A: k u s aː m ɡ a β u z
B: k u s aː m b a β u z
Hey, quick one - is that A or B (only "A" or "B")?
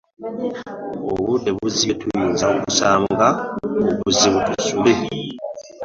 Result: A